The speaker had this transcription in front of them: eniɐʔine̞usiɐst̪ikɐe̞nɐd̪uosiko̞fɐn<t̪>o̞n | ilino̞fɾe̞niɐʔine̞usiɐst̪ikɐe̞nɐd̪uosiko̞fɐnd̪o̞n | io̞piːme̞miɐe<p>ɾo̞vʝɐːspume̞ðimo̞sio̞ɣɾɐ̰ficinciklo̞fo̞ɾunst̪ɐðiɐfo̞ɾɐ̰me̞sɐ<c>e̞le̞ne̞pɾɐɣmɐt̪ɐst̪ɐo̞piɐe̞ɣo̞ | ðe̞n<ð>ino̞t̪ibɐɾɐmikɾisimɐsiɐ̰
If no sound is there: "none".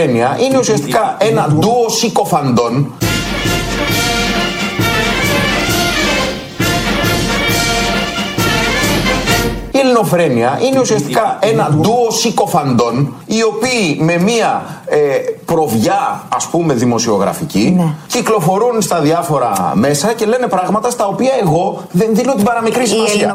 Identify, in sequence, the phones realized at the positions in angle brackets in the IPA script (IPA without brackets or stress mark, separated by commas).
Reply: d̪, p, c, ð